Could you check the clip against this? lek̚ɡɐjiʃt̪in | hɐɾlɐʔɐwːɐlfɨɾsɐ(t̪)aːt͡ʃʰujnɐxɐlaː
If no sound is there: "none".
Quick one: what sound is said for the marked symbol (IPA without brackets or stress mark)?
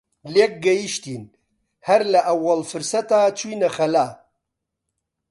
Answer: t̪